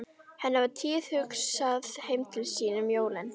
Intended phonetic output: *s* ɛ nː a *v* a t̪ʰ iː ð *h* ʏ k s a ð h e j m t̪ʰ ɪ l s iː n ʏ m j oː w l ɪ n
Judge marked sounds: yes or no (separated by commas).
no, yes, yes